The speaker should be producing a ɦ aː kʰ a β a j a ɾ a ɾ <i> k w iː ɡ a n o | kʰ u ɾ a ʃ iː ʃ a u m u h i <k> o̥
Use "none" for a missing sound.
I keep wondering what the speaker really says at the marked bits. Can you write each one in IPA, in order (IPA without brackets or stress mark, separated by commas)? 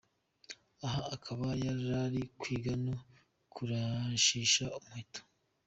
i, t